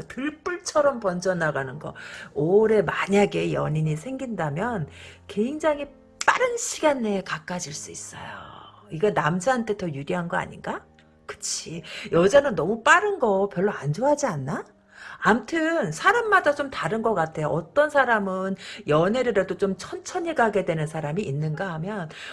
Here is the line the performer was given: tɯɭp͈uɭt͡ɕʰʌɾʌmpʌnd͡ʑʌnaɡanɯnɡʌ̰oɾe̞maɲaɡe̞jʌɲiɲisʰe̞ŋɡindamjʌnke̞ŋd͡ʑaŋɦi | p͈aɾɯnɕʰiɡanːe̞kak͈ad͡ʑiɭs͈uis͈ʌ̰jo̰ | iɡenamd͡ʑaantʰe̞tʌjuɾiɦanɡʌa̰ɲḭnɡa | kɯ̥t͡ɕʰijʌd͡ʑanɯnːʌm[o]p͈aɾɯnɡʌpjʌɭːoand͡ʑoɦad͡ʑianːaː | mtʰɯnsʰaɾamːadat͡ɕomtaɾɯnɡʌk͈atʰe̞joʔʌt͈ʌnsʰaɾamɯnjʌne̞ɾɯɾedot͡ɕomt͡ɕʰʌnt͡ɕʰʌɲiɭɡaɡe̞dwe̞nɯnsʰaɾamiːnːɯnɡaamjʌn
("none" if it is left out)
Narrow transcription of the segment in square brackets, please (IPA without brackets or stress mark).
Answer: u